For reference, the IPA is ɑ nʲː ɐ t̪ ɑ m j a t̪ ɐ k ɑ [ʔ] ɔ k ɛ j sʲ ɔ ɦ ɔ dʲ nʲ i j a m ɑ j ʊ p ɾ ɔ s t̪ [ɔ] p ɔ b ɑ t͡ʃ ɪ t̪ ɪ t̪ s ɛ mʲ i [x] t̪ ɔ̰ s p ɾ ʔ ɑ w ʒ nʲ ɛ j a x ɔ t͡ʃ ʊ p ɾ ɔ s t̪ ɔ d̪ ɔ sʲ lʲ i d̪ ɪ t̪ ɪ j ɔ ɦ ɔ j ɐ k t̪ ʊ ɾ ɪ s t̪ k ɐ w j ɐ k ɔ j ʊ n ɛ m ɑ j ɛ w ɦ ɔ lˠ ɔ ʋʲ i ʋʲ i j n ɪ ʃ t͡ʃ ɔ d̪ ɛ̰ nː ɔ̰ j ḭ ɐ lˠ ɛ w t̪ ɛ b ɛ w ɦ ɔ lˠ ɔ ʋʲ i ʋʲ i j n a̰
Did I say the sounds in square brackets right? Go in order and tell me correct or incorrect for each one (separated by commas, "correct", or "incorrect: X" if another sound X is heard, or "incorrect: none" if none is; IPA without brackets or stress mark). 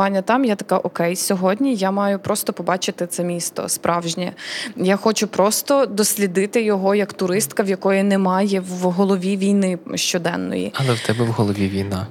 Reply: correct, correct, incorrect: s